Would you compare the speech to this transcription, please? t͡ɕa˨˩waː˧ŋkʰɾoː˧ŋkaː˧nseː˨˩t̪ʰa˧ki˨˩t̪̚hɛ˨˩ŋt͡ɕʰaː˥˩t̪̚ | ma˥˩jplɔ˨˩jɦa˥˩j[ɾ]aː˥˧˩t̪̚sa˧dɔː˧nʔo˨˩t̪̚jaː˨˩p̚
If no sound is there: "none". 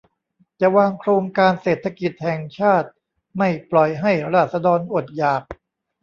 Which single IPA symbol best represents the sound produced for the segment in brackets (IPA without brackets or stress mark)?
ɾ